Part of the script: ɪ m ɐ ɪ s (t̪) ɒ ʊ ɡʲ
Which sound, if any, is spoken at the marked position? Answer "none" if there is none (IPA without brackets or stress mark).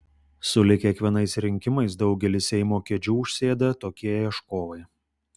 d̪